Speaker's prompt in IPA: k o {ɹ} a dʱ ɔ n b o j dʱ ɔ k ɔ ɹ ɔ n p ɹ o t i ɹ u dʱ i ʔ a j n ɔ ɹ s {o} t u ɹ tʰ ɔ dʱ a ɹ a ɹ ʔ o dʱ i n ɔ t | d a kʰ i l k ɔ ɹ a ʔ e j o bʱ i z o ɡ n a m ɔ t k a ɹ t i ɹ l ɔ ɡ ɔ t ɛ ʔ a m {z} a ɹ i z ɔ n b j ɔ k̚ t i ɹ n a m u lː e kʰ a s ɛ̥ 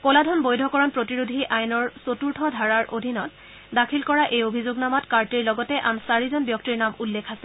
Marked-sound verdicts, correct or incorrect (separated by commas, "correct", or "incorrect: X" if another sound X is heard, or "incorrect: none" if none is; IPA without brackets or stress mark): incorrect: l, correct, incorrect: s